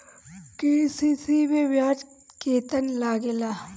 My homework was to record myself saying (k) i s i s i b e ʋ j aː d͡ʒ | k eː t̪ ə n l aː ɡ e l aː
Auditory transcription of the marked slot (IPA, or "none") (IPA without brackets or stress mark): k